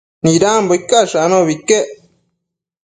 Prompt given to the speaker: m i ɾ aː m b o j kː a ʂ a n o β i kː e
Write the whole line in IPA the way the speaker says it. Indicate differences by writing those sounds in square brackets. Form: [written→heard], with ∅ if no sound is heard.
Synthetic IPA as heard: [m→n] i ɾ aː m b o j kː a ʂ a n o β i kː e